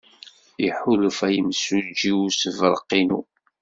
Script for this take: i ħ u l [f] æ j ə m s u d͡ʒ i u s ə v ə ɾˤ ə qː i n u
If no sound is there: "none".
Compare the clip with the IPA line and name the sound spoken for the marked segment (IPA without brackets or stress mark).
f